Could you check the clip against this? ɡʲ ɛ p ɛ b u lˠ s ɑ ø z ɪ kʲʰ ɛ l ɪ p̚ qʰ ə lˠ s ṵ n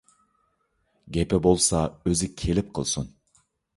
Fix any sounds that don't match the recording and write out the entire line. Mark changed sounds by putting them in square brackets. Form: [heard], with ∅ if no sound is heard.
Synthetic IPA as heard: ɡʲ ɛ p ɛ b [o] lˠ s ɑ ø z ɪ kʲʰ [e] l ɪ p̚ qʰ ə lˠ s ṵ n